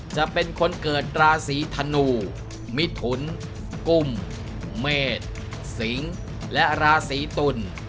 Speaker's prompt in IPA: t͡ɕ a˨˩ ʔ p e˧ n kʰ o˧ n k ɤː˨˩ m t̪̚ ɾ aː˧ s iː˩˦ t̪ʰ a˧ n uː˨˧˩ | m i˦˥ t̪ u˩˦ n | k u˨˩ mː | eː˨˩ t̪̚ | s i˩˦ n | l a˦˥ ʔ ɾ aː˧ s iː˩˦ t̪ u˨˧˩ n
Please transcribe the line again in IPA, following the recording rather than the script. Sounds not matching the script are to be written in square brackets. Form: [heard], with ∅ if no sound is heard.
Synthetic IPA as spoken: t͡ɕ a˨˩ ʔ p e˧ n kʰ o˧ n k ɤː˨˩ [∅] t̪̚ ɾ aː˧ s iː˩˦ t̪ʰ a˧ n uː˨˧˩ | m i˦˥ [t̪ʰ] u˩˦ n | k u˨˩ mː | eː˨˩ t̪̚ | s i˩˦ [ŋ] | l [ɛ˦˥] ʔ ɾ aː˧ s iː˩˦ t̪ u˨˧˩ n